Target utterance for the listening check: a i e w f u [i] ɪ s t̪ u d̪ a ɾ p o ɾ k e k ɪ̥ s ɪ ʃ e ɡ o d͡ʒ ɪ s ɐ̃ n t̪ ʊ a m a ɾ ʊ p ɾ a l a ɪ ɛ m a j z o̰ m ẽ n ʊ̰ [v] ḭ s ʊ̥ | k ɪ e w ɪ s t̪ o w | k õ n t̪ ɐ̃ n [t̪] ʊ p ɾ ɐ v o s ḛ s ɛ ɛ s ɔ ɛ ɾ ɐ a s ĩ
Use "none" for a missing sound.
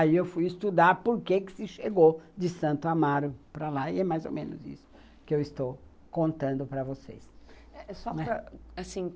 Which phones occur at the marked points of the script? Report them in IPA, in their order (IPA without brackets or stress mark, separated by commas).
j, z, d̪